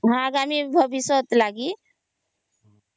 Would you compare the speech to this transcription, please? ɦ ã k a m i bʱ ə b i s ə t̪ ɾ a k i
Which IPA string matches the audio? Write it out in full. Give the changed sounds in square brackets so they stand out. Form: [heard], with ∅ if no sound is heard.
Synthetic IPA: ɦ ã [ɡ] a m i bʱ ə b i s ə t̪ [l] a [ɡ] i